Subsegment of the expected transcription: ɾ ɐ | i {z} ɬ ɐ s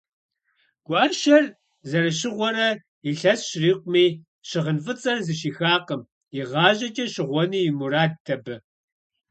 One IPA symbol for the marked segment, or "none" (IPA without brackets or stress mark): none